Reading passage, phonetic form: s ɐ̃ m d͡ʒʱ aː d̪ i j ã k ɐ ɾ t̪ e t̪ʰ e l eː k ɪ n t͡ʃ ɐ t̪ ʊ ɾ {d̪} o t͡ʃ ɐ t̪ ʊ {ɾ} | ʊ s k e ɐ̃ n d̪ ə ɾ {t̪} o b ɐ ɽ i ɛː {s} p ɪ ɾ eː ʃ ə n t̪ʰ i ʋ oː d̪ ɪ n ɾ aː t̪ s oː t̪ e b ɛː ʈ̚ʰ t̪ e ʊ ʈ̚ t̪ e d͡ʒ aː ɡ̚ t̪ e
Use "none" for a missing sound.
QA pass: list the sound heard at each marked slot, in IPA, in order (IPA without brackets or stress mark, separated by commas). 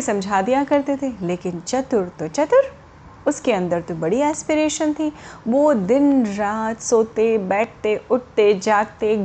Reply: t̪, ɾ, t̪, s